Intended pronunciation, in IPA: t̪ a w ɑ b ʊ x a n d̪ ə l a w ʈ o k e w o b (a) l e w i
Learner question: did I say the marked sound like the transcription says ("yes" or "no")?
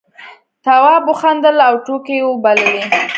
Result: yes